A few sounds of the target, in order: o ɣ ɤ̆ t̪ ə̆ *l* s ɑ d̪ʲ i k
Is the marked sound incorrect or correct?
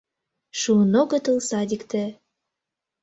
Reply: correct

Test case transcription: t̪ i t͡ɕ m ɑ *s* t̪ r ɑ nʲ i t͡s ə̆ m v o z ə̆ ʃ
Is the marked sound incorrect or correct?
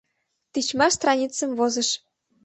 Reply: correct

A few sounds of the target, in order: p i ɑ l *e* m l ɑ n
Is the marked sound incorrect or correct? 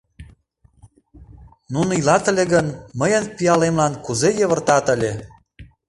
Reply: correct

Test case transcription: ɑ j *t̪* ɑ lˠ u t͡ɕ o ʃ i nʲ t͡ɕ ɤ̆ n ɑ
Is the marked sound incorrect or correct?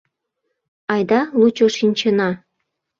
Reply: incorrect: d̪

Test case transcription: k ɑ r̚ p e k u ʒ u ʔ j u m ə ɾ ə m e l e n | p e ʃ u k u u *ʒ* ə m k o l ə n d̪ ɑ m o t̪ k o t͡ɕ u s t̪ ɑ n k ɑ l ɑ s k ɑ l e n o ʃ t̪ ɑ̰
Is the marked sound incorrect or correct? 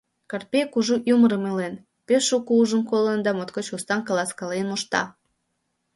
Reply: correct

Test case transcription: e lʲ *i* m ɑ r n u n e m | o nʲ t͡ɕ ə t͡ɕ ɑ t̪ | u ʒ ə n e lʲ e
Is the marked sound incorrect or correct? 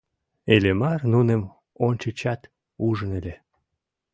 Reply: incorrect: e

